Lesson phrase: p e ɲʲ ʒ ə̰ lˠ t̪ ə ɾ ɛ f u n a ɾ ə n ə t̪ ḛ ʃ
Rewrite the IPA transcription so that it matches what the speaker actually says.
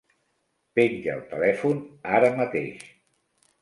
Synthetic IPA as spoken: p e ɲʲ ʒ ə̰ lˠ t̪ ə l ɛ f u n a ɾ ə m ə t̪ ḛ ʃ